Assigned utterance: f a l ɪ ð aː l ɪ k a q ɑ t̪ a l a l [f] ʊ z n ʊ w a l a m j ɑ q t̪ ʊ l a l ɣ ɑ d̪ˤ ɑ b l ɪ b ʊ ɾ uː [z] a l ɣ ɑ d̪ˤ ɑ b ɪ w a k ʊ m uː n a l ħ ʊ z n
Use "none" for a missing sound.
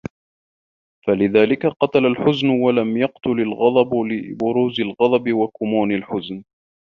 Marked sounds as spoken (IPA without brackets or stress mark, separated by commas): ħ, z